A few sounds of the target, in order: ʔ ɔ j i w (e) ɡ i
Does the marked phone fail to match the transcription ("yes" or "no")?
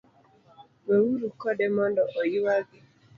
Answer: yes